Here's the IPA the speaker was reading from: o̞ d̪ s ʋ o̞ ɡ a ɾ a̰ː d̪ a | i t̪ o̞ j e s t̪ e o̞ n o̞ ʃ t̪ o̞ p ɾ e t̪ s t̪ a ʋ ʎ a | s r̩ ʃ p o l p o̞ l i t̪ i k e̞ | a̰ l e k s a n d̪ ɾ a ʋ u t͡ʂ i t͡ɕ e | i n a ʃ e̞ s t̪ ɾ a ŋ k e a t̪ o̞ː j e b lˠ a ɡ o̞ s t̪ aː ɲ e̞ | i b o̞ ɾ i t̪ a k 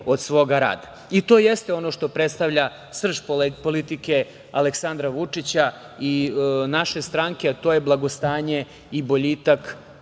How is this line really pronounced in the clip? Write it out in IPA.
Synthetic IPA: o̞ d̪ s ʋ o̞ ɡ a ɾ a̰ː d̪ a | i t̪ o̞ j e s t̪ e o̞ n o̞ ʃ t̪ o̞ p ɾ e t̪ s t̪ a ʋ ʎ a | s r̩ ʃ p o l p o̞ l i t̪ i k e̞ | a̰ l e k s a n d̪ ɾ a ʋ u t͡ʂ i t͡ɕ a | i n a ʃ e̞ s t̪ ɾ a ŋ k e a t̪ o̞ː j e b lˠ a ɡ o̞ s t̪ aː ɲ e̞ | i b o̞ ʎ i t̪ a k